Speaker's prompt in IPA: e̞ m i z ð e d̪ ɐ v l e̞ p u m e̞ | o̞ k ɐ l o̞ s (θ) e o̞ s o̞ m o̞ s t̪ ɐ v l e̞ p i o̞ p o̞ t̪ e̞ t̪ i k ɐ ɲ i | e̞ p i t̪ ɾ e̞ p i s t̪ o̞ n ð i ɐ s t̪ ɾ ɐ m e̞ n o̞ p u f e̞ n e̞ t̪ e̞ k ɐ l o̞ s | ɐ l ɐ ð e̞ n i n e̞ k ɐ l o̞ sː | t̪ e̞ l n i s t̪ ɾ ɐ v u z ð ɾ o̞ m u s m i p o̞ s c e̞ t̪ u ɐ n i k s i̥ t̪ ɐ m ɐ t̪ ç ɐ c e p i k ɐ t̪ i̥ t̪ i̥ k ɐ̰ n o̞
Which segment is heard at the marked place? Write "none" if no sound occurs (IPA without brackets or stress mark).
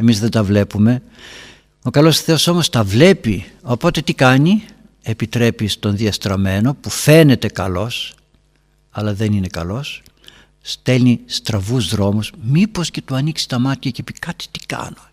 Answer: θ